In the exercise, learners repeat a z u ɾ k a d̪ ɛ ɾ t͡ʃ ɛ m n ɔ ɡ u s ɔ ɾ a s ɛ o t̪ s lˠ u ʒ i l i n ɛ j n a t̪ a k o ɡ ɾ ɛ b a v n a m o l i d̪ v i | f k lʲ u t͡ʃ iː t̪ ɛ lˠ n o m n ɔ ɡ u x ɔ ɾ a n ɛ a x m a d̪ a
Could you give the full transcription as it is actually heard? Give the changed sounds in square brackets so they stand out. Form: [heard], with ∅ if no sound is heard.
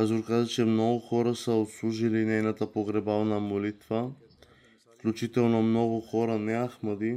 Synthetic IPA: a z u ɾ k a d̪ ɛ [∅] t͡ʃ ɛ m n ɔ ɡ u [x] ɔ ɾ a s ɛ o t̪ s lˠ u ʒ i l i n ɛ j n a t̪ a [p] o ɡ ɾ ɛ b a v n a m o l i [t̪] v [a] | f k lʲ u t͡ʃ [i] t̪ ɛ lˠ n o m n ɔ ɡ u x ɔ ɾ a n ɛ a x m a d̪ [i]